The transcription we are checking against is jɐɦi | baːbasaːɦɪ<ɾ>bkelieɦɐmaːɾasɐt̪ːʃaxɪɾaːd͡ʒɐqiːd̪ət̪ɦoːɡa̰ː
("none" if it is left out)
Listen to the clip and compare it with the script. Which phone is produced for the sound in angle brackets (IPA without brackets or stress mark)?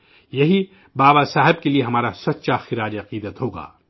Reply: none